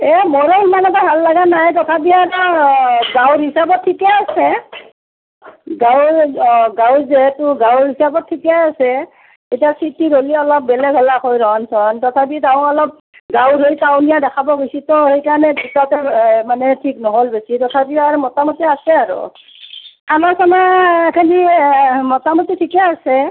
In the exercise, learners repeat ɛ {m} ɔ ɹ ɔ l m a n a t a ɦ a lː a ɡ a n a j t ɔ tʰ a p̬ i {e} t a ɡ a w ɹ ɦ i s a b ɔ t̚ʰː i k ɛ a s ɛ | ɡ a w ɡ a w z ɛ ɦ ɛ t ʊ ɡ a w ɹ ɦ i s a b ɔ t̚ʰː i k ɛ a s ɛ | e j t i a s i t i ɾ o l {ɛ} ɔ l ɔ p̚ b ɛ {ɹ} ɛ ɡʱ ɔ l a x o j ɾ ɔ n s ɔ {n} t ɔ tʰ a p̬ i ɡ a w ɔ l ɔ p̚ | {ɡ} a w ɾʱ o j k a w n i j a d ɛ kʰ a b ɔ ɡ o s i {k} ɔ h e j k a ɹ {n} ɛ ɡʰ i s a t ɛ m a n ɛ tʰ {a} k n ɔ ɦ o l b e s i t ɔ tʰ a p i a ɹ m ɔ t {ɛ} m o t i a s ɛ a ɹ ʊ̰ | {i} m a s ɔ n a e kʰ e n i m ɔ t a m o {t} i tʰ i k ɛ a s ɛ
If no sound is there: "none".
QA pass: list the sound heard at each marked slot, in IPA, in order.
m, a, i, l, n, ɡ, t, n, i, a, a, t

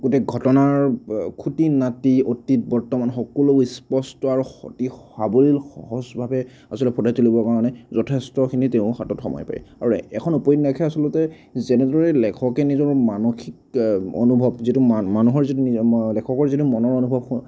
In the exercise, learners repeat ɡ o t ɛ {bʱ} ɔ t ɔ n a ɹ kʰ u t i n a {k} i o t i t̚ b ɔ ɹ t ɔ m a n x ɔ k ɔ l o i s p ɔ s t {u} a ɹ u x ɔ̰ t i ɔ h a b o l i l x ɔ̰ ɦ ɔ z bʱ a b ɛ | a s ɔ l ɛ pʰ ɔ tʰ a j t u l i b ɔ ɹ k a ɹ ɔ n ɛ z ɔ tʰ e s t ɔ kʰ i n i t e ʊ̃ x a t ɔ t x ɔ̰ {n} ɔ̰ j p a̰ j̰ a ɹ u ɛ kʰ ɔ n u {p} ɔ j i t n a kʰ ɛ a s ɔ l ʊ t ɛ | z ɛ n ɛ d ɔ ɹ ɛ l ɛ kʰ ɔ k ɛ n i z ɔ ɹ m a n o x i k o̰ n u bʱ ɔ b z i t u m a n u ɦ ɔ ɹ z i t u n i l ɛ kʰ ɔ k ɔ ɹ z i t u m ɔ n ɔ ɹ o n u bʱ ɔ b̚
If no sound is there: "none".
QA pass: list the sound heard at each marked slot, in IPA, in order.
ɡʱ, t, ɔ, m, p

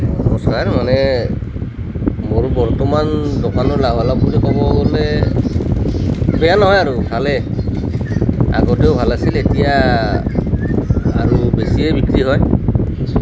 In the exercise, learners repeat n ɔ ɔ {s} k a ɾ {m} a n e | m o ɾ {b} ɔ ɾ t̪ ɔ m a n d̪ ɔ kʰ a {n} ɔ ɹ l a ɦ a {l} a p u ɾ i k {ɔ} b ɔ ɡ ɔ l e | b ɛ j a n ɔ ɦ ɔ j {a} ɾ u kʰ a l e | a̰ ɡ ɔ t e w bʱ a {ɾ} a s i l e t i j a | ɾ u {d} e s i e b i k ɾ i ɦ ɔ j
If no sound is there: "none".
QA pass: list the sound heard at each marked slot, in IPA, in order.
s, m, b, n, l, ɔ, a, l, b

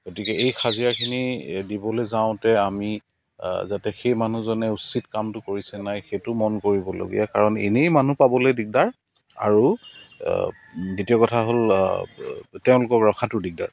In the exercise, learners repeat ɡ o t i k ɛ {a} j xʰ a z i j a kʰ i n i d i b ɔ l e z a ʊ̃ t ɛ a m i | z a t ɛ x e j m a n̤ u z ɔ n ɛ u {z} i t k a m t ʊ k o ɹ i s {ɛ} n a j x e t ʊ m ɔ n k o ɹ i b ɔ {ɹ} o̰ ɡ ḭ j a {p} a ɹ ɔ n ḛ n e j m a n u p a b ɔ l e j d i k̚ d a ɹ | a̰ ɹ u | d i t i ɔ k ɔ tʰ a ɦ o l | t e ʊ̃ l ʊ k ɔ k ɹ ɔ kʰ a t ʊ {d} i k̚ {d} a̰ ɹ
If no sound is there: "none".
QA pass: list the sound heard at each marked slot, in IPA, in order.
e, s, ɛ, l, k, d, d

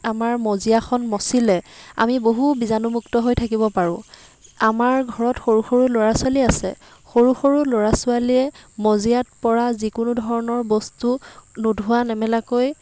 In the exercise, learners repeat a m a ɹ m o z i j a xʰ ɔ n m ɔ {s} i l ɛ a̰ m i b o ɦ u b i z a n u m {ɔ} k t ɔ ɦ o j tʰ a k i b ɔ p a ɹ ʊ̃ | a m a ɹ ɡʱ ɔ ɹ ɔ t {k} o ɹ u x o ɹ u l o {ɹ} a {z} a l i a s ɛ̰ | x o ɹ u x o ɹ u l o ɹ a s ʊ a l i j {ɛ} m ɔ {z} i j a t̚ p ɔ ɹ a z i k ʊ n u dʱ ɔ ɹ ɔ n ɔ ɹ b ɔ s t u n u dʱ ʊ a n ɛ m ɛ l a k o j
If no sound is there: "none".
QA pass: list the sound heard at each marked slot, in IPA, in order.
s, u, x, ɹ, s, ɛ, z

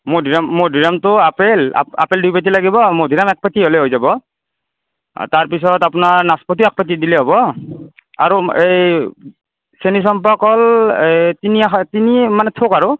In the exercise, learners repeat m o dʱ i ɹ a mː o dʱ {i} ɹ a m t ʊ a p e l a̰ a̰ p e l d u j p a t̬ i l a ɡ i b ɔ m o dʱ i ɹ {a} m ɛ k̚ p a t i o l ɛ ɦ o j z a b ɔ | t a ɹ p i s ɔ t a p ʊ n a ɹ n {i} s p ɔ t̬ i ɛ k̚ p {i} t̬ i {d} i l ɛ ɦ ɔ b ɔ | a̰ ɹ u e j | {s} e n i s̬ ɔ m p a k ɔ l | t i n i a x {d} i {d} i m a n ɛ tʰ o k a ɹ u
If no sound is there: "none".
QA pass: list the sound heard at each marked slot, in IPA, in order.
i, a, a, a, d, s, t, n

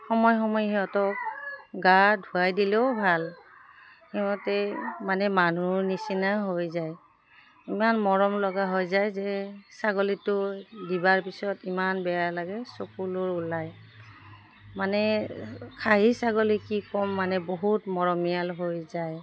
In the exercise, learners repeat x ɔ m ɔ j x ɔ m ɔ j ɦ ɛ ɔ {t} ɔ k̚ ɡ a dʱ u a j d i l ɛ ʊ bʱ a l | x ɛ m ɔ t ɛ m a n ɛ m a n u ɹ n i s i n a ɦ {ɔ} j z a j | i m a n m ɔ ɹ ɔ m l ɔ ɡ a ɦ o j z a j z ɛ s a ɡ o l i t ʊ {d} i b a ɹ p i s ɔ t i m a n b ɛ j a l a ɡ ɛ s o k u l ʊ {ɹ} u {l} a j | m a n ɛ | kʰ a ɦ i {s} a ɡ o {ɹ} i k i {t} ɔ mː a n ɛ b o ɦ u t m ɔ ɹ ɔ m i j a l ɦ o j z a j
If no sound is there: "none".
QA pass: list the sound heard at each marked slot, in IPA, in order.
t, o, d, ɹ, l, s, l, k

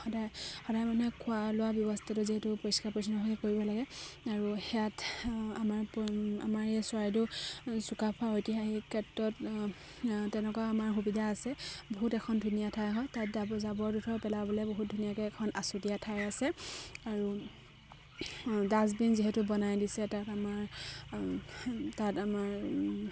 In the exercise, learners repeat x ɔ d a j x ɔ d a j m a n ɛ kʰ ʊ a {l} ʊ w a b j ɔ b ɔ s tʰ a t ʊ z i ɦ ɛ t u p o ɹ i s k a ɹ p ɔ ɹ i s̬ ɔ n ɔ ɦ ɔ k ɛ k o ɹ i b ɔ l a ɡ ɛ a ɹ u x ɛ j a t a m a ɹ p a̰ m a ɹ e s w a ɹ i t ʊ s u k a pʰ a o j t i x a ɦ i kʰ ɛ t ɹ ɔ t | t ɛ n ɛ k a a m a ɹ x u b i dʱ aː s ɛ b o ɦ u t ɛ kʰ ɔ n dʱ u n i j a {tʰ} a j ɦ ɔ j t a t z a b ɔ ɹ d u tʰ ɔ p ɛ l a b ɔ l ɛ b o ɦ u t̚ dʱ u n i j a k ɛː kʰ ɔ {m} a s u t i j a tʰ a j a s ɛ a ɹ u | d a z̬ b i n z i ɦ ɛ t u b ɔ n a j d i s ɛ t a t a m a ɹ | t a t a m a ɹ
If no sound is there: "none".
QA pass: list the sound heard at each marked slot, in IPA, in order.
l, tʰ, n

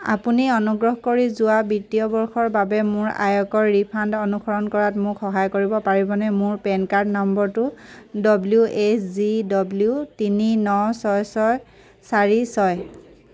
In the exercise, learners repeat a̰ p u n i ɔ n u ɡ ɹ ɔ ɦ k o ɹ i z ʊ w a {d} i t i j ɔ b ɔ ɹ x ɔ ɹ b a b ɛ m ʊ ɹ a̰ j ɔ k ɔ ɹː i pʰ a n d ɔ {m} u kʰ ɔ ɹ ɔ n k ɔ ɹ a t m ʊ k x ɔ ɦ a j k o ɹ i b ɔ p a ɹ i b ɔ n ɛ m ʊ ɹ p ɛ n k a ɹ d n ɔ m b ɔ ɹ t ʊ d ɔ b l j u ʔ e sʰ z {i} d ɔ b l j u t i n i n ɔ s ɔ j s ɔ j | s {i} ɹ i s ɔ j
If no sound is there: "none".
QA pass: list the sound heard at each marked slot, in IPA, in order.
b, n, i, a

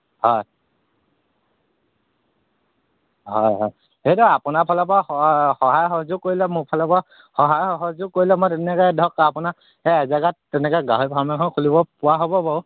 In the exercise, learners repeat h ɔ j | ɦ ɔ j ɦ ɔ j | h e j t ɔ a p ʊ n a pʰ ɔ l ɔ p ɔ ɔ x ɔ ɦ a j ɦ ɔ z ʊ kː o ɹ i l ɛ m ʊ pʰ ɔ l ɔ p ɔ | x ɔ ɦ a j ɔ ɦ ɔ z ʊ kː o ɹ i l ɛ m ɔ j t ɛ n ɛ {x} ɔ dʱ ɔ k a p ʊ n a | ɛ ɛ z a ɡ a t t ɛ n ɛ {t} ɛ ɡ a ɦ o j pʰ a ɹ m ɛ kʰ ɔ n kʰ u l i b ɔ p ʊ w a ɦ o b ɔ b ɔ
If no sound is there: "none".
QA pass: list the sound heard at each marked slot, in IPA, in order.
k, k

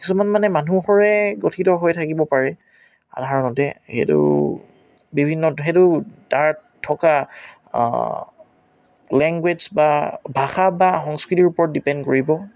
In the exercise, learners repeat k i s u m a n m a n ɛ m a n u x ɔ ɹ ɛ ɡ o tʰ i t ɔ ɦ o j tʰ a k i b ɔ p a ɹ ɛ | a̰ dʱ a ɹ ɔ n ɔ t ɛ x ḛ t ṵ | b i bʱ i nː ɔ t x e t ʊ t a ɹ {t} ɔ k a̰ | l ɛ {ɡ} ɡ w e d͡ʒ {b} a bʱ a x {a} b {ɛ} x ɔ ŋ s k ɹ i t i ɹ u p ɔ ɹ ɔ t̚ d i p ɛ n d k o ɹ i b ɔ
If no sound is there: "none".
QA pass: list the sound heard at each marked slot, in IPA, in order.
tʰ, ŋ, b, a, a

